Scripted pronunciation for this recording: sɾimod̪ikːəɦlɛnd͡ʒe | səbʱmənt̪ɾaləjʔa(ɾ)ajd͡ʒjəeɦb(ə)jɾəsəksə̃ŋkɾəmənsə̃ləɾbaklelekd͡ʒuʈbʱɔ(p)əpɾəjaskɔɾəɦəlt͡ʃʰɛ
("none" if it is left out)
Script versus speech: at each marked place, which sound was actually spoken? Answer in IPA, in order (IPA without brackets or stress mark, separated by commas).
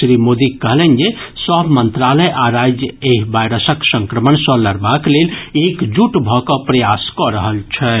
ɾ, a, k